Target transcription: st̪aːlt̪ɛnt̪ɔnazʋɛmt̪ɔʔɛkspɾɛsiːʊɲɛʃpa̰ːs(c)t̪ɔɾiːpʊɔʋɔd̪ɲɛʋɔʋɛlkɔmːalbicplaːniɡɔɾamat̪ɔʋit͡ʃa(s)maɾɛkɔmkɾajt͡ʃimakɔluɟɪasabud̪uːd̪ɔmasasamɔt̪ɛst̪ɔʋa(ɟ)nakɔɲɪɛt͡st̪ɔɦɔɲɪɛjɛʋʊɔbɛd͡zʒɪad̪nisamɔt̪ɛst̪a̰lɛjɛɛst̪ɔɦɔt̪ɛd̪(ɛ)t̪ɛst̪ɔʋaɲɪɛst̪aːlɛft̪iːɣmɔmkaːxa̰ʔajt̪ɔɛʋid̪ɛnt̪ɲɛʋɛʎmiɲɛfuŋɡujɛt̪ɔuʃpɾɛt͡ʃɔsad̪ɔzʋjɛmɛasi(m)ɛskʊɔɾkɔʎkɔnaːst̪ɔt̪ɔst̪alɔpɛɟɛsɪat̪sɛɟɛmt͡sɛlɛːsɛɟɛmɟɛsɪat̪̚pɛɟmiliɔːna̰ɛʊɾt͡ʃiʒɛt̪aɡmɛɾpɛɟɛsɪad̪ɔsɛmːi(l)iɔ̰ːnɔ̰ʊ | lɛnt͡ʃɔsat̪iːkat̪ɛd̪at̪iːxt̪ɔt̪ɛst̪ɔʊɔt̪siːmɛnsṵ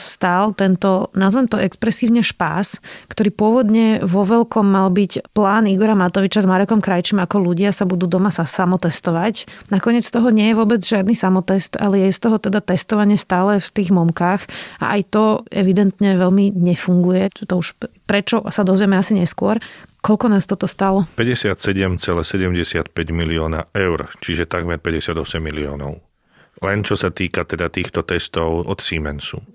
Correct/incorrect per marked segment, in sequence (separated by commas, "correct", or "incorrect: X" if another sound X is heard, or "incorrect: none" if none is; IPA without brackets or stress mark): incorrect: k, incorrect: z, incorrect: c, incorrect: a, incorrect: ɲ, correct